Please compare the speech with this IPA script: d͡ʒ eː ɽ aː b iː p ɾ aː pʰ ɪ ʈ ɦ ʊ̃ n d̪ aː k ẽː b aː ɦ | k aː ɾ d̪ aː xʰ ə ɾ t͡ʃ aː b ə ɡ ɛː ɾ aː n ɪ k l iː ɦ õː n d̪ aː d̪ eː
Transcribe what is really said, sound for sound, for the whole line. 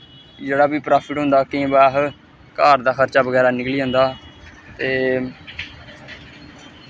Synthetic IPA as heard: d͡ʒ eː ɽ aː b iː p ɾ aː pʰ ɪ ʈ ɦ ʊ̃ n d̪ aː k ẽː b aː ɦ | k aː ɾ d̪ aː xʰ ə ɾ t͡ʃ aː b ə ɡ ɛː ɾ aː n ɪ k l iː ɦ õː n d̪ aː t̪ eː